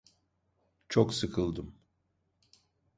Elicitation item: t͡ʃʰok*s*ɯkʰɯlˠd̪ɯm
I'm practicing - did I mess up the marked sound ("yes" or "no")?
no